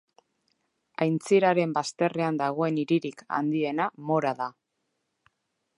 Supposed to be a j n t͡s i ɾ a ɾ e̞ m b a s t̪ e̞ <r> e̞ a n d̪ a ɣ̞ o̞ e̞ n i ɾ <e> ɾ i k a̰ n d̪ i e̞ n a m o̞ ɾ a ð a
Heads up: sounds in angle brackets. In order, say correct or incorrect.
correct, incorrect: i

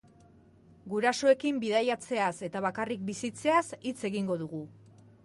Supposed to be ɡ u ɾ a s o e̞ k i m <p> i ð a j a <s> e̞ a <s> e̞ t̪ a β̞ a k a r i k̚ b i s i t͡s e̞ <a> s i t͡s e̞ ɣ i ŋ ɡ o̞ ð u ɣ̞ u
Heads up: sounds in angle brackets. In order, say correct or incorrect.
incorrect: b, incorrect: t͡s, correct, correct

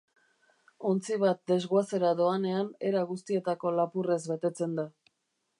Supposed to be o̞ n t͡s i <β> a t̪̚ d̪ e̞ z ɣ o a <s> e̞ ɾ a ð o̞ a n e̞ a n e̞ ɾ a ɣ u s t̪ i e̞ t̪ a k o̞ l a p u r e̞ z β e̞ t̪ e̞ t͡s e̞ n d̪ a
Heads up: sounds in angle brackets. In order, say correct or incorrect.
correct, correct

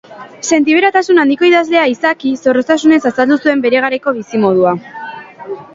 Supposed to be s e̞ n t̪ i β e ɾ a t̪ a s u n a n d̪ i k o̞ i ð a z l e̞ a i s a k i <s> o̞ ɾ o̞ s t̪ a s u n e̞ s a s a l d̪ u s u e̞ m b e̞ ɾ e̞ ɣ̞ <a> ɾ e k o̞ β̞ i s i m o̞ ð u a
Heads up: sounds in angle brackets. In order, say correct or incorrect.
correct, correct

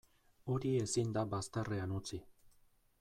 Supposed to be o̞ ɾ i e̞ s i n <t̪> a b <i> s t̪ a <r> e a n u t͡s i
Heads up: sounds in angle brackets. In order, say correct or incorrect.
incorrect: d̪, incorrect: a, correct

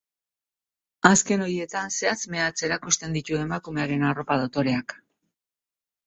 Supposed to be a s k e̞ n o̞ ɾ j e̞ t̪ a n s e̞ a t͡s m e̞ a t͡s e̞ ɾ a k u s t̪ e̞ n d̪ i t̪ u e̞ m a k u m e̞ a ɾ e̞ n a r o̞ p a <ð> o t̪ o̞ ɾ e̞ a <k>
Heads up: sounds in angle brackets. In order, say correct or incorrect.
correct, correct

